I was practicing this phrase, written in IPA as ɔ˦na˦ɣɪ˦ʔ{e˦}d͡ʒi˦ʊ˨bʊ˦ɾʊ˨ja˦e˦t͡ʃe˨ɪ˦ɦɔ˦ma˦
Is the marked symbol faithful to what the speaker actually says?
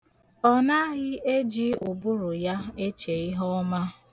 yes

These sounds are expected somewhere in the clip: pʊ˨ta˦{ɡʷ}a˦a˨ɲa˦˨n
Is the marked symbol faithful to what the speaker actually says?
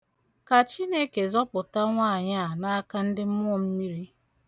no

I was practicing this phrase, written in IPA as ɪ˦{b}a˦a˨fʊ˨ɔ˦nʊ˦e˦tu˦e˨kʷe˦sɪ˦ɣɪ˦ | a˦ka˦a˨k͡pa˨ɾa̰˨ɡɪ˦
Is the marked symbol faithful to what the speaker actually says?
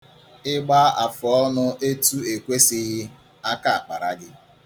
no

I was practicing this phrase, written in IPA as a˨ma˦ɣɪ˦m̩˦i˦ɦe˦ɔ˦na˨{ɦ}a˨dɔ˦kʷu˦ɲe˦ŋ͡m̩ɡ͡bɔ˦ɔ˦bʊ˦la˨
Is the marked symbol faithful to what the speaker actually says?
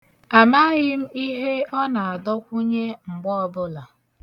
no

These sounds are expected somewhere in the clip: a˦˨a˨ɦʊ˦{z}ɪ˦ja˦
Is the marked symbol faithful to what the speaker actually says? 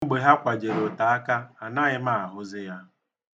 yes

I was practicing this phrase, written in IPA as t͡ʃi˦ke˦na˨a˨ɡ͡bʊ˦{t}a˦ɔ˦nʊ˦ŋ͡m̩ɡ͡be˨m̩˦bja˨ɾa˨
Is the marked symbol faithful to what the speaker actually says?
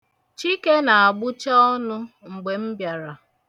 no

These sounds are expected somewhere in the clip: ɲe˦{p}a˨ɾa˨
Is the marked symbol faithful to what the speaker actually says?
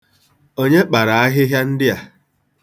no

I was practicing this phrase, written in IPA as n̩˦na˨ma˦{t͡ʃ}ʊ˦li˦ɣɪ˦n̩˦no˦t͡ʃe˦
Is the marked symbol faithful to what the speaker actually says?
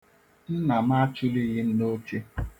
yes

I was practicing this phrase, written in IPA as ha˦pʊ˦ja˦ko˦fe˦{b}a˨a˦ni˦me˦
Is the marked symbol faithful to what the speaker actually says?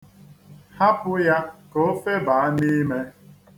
yes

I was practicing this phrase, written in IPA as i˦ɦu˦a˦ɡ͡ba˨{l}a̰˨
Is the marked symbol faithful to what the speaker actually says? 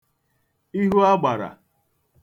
no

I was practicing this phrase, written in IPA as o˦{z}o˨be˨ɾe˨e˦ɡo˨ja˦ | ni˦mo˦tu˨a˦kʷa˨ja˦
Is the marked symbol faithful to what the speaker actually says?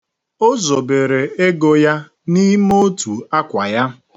yes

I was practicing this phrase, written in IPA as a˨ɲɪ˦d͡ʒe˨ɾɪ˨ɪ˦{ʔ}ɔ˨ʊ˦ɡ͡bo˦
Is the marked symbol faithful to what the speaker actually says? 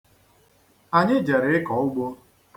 no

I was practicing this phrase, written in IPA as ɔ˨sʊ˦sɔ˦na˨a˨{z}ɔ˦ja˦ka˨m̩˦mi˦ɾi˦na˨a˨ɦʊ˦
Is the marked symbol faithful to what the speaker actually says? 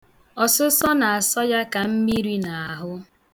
no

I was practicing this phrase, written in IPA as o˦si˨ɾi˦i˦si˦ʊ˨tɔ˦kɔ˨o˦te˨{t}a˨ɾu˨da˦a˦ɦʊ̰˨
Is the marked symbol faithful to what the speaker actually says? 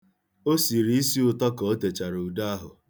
no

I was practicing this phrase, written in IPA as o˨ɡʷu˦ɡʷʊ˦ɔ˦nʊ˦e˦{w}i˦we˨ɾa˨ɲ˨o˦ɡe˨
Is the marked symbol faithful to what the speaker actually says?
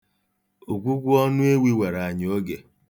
yes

